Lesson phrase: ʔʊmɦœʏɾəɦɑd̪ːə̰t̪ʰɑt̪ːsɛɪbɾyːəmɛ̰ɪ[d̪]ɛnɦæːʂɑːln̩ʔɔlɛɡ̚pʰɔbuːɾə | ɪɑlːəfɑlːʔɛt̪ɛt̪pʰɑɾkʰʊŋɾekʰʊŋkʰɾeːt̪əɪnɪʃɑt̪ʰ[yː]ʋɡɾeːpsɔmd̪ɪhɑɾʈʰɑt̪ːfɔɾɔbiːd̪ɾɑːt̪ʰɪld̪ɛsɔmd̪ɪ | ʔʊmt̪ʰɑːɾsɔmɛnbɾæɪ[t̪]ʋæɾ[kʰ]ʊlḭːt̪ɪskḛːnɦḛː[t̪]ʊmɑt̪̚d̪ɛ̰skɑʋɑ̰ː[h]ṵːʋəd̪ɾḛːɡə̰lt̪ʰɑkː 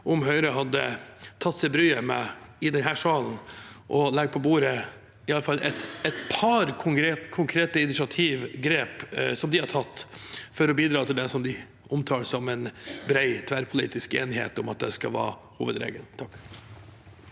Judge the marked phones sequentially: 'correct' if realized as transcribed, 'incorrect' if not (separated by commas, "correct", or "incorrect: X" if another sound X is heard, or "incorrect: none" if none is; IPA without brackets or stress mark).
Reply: correct, incorrect: iː, incorrect: t̪ʰ, incorrect: pʰ, correct, correct